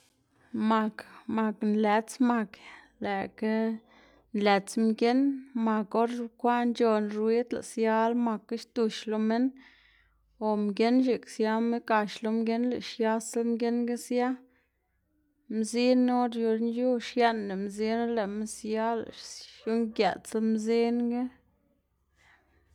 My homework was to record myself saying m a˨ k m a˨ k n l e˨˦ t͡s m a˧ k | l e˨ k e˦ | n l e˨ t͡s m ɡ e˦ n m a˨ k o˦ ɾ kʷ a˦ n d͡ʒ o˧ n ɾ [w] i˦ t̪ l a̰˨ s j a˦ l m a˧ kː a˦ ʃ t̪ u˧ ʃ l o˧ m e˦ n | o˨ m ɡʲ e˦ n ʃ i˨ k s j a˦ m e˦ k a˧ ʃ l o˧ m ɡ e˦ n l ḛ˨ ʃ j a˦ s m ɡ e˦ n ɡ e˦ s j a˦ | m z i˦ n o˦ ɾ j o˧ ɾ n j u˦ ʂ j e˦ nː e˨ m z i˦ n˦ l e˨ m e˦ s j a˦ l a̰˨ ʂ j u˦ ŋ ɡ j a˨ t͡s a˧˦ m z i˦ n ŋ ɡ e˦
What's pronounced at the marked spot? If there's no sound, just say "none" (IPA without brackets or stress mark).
w